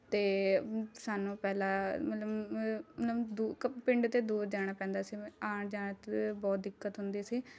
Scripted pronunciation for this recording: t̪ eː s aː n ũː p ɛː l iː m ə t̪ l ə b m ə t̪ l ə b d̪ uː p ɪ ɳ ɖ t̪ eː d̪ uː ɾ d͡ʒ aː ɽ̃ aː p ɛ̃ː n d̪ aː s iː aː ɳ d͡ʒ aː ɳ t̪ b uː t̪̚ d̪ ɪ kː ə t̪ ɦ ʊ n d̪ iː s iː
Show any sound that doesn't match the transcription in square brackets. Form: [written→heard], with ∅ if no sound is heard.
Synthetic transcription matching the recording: t̪ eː s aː n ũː p ɛː l [iː→aː] m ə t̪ l ə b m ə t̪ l ə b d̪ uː p ɪ ɳ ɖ t̪ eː d̪ uː ɾ d͡ʒ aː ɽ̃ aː p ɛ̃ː n d̪ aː s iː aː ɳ d͡ʒ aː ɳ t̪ b [uː→ɔː] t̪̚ d̪ ɪ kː ə t̪ ɦ ʊ n d̪ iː s iː